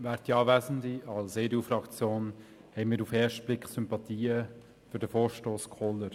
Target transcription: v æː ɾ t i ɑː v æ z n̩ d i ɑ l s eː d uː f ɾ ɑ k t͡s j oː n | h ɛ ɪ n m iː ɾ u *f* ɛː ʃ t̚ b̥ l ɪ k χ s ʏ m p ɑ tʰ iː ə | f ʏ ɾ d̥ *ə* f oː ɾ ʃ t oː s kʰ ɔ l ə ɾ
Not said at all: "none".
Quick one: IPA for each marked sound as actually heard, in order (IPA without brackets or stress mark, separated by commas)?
f, ə